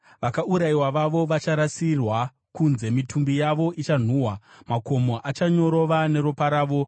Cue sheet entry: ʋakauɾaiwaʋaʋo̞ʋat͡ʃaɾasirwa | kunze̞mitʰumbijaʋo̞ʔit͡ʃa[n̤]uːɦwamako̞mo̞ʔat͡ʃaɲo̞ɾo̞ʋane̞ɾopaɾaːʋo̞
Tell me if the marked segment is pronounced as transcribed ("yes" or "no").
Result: yes